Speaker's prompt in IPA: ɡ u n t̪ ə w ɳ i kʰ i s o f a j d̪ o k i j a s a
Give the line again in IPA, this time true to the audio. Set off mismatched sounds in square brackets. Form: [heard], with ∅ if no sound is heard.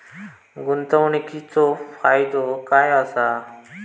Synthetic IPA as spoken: ɡ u n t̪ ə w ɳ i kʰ i [t͡s] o f a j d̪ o k [a] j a s a